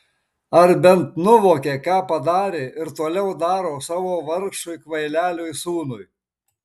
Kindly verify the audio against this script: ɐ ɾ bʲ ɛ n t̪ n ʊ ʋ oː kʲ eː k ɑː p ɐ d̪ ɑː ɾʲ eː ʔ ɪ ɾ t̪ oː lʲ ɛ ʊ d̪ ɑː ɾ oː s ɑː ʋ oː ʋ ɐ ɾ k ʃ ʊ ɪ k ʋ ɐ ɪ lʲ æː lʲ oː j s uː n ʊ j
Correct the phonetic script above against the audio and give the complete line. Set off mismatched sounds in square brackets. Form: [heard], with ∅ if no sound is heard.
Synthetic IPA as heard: ɐ ɾ bʲ ɛ n t̪ n ʊ ʋ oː kʲ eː k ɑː p ɐ d̪ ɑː ɾʲ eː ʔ ɪ ɾ t̪ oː lʲ ɛ ʊ d̪ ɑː ɾ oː s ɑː ʋ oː ʋ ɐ ɾ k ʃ ʊ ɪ k ʋ ɐ ɪ lʲ æː lʲ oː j s uː n ʊ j